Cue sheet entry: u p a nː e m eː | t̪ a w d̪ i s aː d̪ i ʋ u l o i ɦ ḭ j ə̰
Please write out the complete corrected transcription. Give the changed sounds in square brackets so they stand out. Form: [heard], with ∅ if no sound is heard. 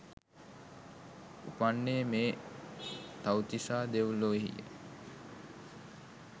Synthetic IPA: u p a nː e m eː | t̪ a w [t̪] i s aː d̪ [e] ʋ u l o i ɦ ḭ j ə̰